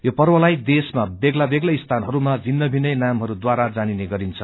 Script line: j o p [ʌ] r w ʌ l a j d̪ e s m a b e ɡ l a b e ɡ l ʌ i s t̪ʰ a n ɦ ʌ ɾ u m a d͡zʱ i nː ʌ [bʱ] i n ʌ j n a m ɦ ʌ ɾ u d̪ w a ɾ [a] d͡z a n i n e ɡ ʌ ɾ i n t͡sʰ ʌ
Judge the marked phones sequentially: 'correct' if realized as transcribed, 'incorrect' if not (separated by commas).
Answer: correct, correct, correct